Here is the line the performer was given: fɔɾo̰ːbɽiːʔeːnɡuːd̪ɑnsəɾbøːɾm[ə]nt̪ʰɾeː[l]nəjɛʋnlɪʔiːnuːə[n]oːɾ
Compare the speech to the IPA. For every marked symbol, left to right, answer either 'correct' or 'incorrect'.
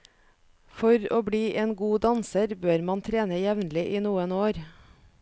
incorrect: ɑ, incorrect: none, correct

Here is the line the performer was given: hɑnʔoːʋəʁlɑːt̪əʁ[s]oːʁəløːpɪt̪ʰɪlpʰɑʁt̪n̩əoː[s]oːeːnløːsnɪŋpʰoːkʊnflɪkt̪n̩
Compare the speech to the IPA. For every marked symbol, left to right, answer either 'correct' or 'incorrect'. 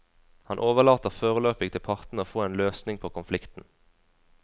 incorrect: f, incorrect: f

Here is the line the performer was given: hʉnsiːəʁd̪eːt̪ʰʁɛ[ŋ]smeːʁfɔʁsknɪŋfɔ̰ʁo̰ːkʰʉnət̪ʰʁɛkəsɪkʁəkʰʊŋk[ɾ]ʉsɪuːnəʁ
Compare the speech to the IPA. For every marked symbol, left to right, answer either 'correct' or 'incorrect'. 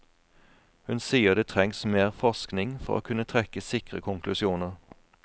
correct, incorrect: l

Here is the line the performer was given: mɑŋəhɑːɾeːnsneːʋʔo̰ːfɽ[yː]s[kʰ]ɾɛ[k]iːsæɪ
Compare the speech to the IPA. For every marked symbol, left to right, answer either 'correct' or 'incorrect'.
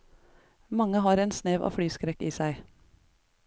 correct, incorrect: k, correct

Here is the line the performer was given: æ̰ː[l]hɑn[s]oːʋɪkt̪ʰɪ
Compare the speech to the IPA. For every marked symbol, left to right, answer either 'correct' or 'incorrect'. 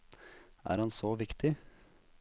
incorrect: ɾ, correct

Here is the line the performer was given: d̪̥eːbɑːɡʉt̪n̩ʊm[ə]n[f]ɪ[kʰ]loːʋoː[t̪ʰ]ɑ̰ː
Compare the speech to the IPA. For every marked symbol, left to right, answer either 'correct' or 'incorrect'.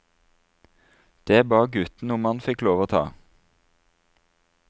incorrect: ɑ, correct, incorrect: k, correct

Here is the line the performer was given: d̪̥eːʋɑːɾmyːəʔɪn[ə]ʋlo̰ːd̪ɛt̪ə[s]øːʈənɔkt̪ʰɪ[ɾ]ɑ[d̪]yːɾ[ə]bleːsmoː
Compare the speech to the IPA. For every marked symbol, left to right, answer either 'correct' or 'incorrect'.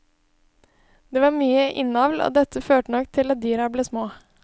incorrect: ɑ, incorrect: f, incorrect: l, correct, incorrect: ɑ

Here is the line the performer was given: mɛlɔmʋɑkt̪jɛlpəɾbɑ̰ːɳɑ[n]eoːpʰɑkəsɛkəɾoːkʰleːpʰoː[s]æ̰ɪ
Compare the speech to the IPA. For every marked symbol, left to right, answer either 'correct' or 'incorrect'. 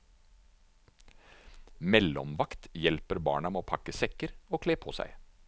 incorrect: m, correct

